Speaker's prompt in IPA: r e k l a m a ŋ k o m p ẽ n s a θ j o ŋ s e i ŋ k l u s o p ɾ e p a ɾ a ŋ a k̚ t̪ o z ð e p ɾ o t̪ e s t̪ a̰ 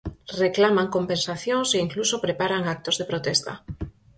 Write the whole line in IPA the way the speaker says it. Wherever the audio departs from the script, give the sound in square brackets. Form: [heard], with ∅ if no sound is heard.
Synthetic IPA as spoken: r e k l a m a ŋ k o m p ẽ n s a θ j o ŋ s e i ŋ k l u s o p ɾ e p a ɾ a ŋ a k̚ t̪ o z ð e p ɾ o t̪ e s t̪ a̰